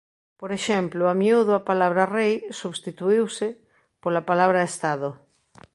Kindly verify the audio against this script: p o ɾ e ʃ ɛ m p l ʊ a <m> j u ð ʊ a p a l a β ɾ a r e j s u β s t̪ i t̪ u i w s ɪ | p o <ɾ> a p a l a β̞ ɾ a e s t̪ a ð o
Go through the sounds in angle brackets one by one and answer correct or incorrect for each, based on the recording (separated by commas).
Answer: correct, incorrect